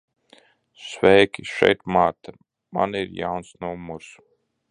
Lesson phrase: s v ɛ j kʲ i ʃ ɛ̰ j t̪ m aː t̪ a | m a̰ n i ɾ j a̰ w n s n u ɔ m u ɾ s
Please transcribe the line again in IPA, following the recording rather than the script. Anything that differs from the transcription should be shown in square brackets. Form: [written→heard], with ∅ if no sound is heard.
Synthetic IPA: s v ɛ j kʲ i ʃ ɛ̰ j t̪ m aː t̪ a | m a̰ n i ɾ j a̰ w n s n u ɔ m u ɾ s